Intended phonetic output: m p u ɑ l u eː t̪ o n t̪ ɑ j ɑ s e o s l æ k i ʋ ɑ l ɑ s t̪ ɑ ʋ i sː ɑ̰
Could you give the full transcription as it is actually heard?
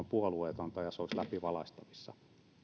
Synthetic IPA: m p u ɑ l u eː t̪ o n t̪ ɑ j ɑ s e o s l æ p i ʋ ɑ l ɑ s t̪ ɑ ʋ i sː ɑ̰